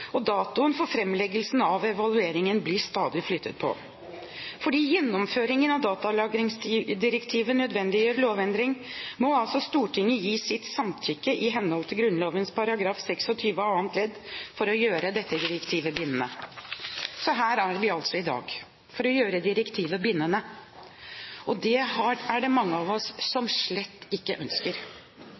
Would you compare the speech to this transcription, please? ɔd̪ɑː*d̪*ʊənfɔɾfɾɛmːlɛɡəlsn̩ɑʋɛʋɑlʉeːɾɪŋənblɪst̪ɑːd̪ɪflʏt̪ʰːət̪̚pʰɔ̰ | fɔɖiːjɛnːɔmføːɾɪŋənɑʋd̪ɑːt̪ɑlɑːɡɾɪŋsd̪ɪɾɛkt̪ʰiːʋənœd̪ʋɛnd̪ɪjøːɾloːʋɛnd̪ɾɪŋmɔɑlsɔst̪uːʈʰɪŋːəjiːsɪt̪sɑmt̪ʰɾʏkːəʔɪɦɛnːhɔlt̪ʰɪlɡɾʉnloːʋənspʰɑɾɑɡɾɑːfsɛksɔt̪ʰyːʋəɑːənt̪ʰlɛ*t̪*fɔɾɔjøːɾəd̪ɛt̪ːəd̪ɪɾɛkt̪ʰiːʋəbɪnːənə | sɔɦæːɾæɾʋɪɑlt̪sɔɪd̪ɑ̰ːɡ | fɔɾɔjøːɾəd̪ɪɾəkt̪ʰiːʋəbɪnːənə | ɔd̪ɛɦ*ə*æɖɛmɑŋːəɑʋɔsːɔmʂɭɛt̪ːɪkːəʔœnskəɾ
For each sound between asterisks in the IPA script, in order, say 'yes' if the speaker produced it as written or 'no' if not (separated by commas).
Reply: no, no, no